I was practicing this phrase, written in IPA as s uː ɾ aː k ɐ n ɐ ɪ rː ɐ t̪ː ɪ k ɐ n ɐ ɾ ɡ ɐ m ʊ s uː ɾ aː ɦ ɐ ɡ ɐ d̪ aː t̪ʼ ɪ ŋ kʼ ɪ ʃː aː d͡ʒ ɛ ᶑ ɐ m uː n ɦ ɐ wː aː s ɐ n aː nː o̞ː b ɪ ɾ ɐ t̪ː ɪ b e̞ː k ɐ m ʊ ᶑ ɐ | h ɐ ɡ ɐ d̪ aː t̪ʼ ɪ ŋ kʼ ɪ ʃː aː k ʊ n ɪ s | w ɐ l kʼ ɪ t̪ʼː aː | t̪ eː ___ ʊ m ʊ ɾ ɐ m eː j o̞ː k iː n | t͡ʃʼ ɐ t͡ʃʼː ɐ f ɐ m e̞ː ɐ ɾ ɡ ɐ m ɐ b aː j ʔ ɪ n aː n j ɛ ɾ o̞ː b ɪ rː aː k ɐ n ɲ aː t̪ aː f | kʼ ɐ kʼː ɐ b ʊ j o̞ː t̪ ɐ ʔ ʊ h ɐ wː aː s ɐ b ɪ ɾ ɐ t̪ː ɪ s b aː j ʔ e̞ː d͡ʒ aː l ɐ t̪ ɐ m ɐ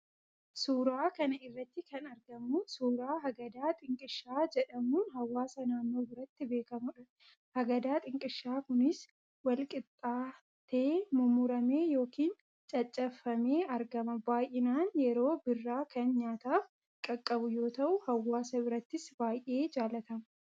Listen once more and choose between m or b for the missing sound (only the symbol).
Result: m